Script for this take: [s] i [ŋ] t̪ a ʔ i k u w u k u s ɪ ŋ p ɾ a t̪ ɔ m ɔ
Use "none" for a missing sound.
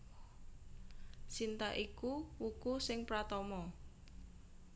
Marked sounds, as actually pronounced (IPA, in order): s, n

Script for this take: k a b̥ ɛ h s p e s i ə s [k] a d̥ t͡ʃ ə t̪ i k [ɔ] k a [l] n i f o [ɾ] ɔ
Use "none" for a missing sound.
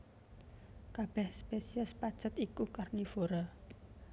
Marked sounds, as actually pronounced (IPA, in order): p, u, r, ɾ

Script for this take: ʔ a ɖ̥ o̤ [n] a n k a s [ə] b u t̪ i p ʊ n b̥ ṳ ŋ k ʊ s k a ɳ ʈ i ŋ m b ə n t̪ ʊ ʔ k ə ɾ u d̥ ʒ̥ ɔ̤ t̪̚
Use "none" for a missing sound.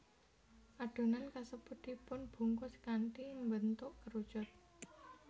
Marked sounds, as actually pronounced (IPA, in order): n, ə

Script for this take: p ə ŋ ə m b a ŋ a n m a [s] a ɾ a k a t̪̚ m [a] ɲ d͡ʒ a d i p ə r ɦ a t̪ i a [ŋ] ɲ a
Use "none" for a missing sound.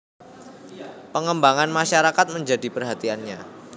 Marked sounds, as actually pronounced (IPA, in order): ʃ, ə, n

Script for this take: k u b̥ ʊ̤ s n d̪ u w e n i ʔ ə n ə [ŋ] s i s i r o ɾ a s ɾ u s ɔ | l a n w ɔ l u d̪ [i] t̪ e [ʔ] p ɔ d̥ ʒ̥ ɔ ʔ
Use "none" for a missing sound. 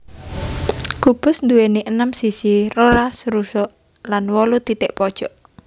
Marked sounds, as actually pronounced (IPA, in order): m, i, ʔ

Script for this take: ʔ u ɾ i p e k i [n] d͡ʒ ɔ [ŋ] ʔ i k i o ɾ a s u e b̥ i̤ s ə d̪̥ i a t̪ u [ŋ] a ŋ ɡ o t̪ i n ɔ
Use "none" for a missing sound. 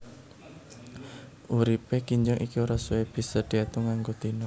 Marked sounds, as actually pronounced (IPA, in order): ɲ, ŋ, ŋ

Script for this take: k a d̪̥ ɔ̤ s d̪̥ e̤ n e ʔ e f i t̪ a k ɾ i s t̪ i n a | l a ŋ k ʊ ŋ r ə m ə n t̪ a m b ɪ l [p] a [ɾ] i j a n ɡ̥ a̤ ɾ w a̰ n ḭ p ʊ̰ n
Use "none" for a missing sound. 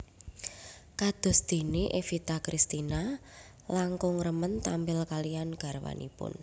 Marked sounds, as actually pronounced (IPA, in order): k, l

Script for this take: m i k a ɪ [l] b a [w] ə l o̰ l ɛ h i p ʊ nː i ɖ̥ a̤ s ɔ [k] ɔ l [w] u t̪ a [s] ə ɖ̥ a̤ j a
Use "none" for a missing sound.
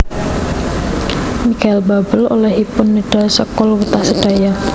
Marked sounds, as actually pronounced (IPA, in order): l, b, k, w, s

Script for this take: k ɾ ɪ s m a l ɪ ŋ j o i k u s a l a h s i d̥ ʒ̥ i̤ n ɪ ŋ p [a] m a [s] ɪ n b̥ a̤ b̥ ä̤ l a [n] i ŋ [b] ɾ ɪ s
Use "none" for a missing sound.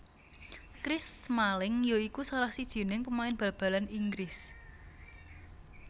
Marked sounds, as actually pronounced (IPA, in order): ə, none, n, ɡ

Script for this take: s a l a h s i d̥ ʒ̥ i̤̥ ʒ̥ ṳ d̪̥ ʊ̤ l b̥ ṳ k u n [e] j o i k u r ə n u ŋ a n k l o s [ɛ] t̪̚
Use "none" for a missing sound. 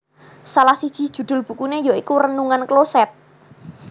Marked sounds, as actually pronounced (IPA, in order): e, ɛ

